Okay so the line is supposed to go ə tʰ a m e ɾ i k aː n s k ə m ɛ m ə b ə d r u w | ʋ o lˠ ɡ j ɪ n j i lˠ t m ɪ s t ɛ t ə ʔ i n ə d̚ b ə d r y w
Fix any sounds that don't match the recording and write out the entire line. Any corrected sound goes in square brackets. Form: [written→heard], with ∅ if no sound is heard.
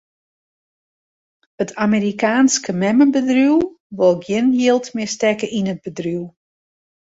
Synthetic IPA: ə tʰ a m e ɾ i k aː n s k ə m ɛ m ə b ə d r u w | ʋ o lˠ ɡ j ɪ n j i lˠ t m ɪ s t ɛ [t→k] ə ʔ i n ə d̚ b ə d r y w